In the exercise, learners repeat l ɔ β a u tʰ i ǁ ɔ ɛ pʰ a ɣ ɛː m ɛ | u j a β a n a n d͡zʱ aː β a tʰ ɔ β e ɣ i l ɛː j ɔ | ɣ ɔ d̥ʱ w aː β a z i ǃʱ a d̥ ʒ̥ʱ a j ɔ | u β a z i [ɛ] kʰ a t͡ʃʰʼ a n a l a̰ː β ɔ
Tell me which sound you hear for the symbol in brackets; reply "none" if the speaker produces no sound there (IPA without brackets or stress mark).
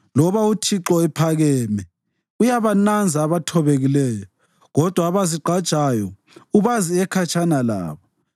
ɛ